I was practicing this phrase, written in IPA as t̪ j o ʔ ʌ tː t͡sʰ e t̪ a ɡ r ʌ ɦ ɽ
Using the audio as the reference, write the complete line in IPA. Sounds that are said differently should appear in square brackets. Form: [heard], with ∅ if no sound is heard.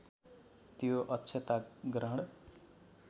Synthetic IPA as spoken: t̪ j o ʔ ʌ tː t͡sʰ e t̪ a ɡ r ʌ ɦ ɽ

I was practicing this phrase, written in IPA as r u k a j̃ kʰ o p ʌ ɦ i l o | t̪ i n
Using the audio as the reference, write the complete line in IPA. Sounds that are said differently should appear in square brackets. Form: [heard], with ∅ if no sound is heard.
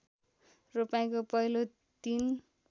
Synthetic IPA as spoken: r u [p] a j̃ [k] o p ʌ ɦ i l o | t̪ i n

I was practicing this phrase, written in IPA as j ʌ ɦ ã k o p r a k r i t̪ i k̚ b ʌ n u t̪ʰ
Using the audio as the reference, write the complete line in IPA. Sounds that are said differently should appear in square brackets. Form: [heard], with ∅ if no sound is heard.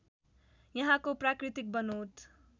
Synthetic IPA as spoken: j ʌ ɦ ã k o p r a k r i t̪ i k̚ b ʌ n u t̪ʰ

